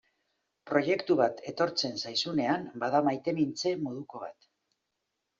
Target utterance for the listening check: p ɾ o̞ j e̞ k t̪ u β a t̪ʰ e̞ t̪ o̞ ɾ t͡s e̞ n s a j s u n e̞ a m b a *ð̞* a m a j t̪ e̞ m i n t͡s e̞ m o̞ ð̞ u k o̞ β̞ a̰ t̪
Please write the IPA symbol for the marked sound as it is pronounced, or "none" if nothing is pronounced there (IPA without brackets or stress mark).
ð̞